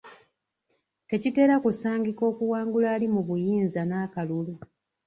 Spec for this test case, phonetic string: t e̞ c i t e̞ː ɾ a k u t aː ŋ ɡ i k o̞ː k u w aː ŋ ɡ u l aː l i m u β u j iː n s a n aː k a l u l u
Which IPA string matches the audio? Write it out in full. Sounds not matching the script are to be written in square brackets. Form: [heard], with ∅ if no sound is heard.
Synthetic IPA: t e̞ c i t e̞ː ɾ a k u [s] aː ŋ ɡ i k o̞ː k u w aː ŋ ɡ u l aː l i m u β u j iː n [z] a n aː k a l u l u